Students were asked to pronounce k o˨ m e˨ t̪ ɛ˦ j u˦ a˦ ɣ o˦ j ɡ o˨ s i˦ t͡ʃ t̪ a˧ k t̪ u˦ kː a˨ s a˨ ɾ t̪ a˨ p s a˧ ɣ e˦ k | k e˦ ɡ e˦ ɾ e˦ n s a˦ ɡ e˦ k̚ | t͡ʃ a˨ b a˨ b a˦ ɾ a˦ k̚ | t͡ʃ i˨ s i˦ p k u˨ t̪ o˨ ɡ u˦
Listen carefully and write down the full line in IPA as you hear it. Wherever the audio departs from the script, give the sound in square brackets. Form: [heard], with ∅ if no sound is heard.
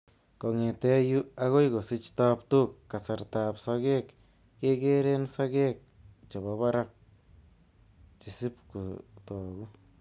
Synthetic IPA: k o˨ [ŋ] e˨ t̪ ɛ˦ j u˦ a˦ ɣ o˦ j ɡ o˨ s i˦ t͡ʃ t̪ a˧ [p] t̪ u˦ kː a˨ s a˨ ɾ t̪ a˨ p s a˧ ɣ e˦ k | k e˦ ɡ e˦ ɾ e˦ n s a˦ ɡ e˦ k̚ | t͡ʃ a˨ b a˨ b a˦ ɾ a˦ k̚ | t͡ʃ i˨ s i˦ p k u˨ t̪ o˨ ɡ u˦